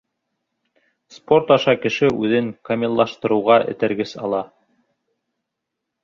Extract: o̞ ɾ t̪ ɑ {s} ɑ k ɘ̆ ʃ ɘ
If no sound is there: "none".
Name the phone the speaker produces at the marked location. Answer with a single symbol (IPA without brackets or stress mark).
ʃ